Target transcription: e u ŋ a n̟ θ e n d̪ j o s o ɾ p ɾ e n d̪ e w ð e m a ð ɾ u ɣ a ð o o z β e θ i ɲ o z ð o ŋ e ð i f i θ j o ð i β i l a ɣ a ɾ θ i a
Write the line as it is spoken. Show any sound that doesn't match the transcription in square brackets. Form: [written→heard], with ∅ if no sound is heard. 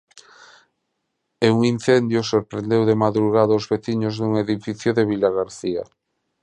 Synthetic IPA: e u ŋ [a→i] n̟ θ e n d̪ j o s o ɾ p ɾ e n d̪ e w ð e m a ð ɾ u ɣ a ð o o z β e θ i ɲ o z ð [o→u] ŋ e ð i f i θ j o ð [i→e] β i l a ɣ a ɾ θ i a

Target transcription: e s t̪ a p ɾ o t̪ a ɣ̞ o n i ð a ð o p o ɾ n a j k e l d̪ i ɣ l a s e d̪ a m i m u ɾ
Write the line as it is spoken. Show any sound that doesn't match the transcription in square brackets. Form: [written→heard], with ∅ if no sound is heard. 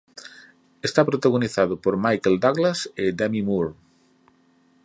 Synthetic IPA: e s t̪ a p ɾ o t̪ a ɣ̞ o n i [ð→θ] a ð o p o ɾ [n→m] a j k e l d̪ [i→a] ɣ l a s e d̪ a m i m u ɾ

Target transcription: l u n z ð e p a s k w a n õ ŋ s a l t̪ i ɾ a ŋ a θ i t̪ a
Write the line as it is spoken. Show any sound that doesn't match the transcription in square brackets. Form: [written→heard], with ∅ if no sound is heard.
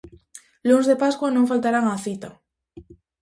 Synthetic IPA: l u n z ð e p a s k w a n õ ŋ [s→f] a l t̪ [i→a] ɾ a ŋ a θ i t̪ a

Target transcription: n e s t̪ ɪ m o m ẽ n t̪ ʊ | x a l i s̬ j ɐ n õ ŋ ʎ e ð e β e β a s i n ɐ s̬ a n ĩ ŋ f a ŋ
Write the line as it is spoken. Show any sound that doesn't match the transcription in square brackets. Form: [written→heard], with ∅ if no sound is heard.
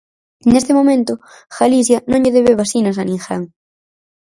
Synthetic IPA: n e s t̪ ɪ m o m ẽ n t̪ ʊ | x a l i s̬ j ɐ n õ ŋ ʎ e ð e β e β a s i n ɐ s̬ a n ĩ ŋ [f→x] a ŋ

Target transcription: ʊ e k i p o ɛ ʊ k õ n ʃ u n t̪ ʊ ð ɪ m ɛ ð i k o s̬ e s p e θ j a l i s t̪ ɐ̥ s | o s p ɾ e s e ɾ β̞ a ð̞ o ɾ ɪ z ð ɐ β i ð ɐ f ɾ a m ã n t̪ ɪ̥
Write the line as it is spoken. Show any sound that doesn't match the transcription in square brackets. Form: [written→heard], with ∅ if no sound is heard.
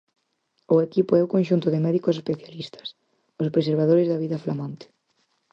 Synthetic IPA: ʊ e k i p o ɛ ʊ k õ n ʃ u n t̪ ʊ ð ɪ m ɛ ð i k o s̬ e s p e θ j a l i s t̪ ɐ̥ s | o s p ɾ e s e ɾ β̞ a ð̞ o ɾ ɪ z ð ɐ β i ð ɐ f [ɾ→l] a m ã n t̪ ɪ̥

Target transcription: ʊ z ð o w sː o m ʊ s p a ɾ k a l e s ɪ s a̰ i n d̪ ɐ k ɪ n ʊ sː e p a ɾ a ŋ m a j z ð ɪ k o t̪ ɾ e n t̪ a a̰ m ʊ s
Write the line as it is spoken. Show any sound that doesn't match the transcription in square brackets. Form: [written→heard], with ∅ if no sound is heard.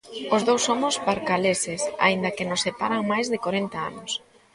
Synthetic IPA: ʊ z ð o w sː o m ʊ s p a ɾ k a l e s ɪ s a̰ i n d̪ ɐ k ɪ n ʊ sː e p a ɾ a ŋ m a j z ð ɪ k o [t̪→∅] ɾ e n t̪ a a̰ [m→n] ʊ s

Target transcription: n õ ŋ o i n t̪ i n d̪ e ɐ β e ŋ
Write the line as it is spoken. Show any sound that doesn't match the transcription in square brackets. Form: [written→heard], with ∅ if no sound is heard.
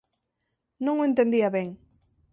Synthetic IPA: n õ ŋ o [i→e] n t̪ [i→e] n d̪ [e→i] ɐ β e ŋ

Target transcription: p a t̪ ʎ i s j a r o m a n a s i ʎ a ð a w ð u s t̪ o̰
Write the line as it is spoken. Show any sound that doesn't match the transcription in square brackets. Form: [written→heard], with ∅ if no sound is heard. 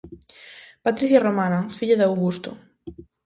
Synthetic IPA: p a t̪ [ʎ→ɾ] i [s→θ] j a r o m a n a [s→f] i ʎ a ð a w [ð→ɣ] u s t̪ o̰

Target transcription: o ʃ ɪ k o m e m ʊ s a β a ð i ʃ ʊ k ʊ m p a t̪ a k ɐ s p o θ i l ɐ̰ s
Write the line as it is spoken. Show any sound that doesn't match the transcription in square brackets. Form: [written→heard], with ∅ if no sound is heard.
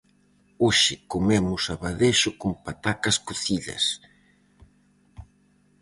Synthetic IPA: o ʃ ɪ k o m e m ʊ s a β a ð [i→e] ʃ ʊ k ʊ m p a t̪ a k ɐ s [p→k] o θ i [l→ʎ] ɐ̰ s

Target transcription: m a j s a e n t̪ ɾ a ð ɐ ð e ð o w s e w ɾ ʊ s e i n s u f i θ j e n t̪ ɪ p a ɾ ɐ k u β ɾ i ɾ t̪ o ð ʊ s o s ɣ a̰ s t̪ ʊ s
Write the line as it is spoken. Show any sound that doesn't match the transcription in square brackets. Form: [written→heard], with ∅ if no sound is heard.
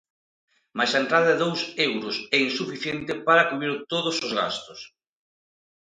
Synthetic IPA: m a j s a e n t̪ ɾ a ð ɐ ð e ð o w s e w ɾ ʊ s [e→ɛ] i n s u f i θ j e n t̪ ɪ p a ɾ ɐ k u β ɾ i ɾ t̪ o ð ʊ s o [s→z] ɣ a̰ s t̪ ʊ s

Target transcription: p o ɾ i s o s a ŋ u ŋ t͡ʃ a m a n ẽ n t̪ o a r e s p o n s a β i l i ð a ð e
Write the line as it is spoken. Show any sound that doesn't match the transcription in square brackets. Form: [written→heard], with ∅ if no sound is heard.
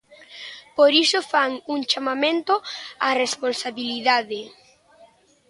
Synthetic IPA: p o ɾ i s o [s→f] a ŋ u ŋ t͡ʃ a m a [n→m] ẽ n t̪ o a r e s p o n s a β i l i ð a ð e

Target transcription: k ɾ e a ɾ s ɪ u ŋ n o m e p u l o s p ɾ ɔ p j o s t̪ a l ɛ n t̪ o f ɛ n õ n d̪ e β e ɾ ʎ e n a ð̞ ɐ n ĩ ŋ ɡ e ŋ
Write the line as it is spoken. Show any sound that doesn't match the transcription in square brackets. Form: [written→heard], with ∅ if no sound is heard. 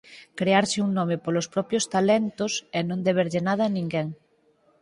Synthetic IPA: k ɾ e a ɾ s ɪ u ŋ n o m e p [u→o] l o s p ɾ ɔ p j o s t̪ a l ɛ n t̪ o [f→s] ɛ n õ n d̪ e β e ɾ ʎ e n a ð̞ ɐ n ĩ ŋ ɡ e ŋ

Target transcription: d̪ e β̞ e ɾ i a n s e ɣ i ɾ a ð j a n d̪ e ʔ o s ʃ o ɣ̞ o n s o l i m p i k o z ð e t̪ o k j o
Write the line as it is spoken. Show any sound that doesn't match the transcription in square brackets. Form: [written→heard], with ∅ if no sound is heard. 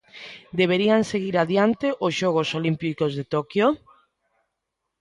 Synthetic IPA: d̪ e β̞ e ɾ i a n s e ɣ i ɾ a ð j a n [d̪→t̪] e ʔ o s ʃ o ɣ̞ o [n→∅] s o l i m p i k o z ð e t̪ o k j o

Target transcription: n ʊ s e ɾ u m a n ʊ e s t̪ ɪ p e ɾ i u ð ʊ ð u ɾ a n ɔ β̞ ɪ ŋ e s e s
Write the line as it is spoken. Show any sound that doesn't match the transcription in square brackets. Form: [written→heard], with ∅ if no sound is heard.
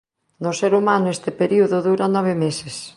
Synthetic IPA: n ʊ s e ɾ u m a n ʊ e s t̪ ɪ p e ɾ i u ð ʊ ð u ɾ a n ɔ β̞ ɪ [ŋ→m] e s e s

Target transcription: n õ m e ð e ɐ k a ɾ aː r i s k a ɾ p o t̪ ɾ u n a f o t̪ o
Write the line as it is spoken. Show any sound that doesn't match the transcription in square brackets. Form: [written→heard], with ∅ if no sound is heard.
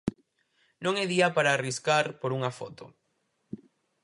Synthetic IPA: n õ [m→ŋ] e ð [e→i] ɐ [k→p] a ɾ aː r i s k a ɾ p o [t̪→∅] ɾ u [n→ŋ] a f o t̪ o

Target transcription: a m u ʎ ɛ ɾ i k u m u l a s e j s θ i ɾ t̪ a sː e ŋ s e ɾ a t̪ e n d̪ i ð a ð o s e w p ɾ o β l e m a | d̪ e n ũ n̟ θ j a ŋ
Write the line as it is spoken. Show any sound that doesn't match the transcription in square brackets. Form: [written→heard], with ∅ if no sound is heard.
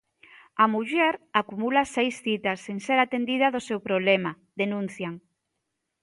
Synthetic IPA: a m u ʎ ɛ ɾ [i→a] k u m u l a s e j s θ i [ɾ→∅] t̪ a sː e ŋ s e ɾ a t̪ e n d̪ i ð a ð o s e w p ɾ o β l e m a | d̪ e n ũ n̟ θ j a ŋ

